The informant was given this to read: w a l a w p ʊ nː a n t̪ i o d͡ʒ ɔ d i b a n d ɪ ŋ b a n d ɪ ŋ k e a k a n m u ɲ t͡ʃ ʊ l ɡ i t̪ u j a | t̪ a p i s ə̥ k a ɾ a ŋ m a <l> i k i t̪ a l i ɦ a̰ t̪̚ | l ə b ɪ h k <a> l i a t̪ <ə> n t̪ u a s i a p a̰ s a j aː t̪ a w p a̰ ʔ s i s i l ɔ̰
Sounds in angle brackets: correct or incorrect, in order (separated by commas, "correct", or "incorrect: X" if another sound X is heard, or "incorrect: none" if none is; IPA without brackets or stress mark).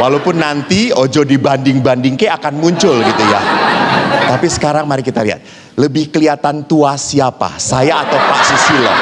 incorrect: ɾ, incorrect: ə, incorrect: a